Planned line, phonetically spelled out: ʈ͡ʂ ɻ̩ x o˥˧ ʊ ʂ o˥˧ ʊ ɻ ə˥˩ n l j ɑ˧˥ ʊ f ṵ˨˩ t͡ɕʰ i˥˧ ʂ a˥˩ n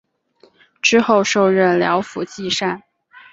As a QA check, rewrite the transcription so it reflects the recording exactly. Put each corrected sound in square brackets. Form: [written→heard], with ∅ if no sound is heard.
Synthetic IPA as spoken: ʈ͡ʂ ɻ̩ x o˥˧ ʊ ʂ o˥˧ ʊ ɻ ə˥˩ n l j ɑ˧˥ ʊ f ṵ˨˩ [t͡ɕʰ→t͡ɕ] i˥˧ ʂ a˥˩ n

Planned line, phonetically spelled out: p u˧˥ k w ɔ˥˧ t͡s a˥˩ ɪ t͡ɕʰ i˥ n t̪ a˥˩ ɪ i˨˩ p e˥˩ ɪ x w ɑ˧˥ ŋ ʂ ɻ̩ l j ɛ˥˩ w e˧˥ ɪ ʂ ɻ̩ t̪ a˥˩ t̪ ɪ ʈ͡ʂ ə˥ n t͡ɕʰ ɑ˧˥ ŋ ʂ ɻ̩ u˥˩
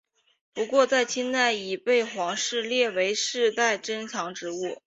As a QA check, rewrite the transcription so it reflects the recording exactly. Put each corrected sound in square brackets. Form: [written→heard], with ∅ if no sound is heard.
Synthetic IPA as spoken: p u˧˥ k w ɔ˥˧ t͡s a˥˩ ɪ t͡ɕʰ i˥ n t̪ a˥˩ ɪ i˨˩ p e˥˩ ɪ x w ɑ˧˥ ŋ ʂ ɻ̩ l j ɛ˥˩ w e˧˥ ɪ ʂ ɻ̩ t̪ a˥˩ [t̪→∅] ɪ ʈ͡ʂ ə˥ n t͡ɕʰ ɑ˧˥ ŋ [ʂ→ʈ͡ʂ] ɻ̩ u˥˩

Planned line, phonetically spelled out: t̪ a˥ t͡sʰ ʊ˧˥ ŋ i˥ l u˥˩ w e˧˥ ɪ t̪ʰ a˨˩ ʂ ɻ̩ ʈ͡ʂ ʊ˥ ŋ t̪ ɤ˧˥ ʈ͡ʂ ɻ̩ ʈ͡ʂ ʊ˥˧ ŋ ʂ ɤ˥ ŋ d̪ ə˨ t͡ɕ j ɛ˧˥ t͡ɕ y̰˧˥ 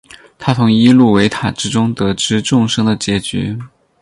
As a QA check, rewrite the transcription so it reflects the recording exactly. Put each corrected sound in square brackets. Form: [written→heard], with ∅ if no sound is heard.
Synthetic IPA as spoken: [t̪→t̪ʰ] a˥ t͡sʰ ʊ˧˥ ŋ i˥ l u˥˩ w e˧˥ ɪ t̪ʰ a˨˩ [ʂ→ʈ͡ʂ] ɻ̩ ʈ͡ʂ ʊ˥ ŋ t̪ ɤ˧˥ ʈ͡ʂ ɻ̩ ʈ͡ʂ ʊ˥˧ ŋ ʂ ɤ˥ ŋ d̪ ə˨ t͡ɕ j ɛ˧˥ t͡ɕ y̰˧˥

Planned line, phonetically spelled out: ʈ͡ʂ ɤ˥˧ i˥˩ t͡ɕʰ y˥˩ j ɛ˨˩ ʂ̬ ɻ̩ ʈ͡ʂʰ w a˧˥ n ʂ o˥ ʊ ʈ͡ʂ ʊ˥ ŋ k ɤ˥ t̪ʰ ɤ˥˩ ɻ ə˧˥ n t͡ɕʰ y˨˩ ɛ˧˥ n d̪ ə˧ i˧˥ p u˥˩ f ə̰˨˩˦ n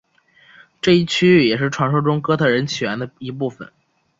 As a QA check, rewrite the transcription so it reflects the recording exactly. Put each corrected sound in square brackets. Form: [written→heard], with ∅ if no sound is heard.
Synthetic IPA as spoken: ʈ͡ʂ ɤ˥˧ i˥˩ t͡ɕʰ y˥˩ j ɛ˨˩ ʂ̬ ɻ̩ ʈ͡ʂʰ w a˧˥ n ʂ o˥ ʊ ʈ͡ʂ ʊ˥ ŋ k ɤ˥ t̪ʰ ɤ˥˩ ɻ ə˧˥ n t͡ɕʰ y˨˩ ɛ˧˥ n d̪ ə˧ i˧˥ p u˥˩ f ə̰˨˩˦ n

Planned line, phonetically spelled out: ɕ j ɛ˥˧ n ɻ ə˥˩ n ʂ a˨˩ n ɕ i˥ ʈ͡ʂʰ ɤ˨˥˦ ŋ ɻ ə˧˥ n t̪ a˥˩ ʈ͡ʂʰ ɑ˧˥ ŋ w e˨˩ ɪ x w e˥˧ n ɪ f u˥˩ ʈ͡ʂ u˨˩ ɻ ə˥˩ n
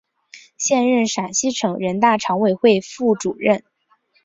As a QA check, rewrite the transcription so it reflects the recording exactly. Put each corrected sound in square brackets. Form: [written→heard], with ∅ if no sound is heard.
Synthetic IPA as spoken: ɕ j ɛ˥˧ n ɻ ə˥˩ n ʂ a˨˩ n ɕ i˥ ʈ͡ʂʰ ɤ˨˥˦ ŋ ɻ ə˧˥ n t̪ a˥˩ ʈ͡ʂʰ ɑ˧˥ ŋ w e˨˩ ɪ x w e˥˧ [n→∅] ɪ f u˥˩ ʈ͡ʂ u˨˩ ɻ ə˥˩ n

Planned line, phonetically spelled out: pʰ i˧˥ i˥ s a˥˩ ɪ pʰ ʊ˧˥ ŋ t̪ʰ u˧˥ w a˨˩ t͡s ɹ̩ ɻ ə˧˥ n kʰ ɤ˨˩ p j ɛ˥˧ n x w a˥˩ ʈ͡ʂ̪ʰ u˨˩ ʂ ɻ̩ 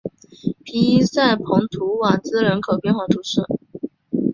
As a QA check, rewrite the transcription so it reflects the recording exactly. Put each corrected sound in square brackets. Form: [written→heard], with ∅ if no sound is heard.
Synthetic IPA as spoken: pʰ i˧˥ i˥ s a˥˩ ɪ pʰ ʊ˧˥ ŋ t̪ʰ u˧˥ w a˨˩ t͡s ɹ̩ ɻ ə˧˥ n kʰ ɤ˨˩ p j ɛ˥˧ n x w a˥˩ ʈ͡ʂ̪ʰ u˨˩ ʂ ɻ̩

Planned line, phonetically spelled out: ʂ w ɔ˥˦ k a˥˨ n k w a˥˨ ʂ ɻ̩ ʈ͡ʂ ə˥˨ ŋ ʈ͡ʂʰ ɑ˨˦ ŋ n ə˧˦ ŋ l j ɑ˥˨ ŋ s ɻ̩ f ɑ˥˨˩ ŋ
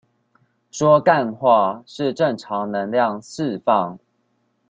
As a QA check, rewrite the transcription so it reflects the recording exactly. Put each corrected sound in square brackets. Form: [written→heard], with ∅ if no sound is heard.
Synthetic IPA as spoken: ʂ w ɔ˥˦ k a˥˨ n [k→x] w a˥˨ ʂ ɻ̩ ʈ͡ʂ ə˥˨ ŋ ʈ͡ʂʰ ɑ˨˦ ŋ n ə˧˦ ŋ l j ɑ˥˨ ŋ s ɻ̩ f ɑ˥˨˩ ŋ

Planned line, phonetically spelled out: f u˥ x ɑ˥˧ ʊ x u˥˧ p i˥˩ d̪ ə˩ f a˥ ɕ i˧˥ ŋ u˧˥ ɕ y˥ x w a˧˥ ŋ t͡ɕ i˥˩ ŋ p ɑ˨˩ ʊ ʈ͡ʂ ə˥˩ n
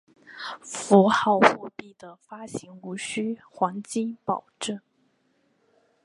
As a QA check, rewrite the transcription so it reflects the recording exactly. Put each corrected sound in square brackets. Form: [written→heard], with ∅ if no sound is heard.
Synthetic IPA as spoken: f [u˥→u˧˥] x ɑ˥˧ ʊ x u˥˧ p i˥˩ d̪ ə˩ f a˥ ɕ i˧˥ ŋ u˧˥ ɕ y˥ x w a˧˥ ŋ t͡ɕ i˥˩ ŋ p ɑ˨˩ ʊ ʈ͡ʂ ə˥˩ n

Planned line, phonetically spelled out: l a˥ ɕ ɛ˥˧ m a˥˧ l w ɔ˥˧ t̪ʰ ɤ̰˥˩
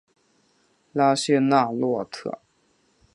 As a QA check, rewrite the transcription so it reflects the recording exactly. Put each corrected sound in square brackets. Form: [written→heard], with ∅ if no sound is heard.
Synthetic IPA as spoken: l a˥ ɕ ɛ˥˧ [m→n] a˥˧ l w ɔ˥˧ t̪ʰ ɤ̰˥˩

